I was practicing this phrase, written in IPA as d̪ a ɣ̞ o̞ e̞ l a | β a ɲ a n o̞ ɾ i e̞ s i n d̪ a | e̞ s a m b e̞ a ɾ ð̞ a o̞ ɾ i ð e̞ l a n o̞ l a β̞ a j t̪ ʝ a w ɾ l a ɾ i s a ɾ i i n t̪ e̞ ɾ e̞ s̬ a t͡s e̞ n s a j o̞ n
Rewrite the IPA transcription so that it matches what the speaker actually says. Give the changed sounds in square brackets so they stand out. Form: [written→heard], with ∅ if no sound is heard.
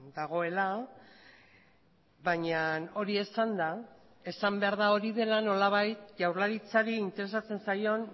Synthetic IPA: d̪ a ɣ̞ o̞ e̞ l a | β a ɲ a n o̞ ɾ i e̞ s [i→a] n d̪ a | e̞ s a m b e̞ a ɾ ð̞ a o̞ ɾ i ð e̞ l a n o̞ l a β̞ a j t̪ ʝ a w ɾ l a ɾ i [s→t͡s] a ɾ i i n t̪ e̞ ɾ e̞ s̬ a t͡s e̞ n s a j o̞ n